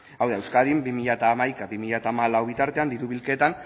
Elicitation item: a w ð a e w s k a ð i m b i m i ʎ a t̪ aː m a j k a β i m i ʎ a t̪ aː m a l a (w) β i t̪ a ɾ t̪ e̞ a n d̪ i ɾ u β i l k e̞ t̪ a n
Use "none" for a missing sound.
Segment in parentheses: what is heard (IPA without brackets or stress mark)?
w